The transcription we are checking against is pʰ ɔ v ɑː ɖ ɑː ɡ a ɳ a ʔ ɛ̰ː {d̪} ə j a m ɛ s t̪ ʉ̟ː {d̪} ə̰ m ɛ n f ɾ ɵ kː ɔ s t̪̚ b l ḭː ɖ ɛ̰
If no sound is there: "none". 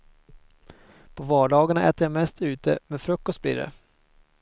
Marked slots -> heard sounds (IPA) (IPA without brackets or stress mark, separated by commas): t̪, t̪